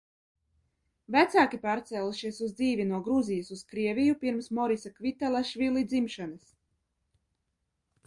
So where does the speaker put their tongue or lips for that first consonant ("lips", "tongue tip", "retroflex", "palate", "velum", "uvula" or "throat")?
lips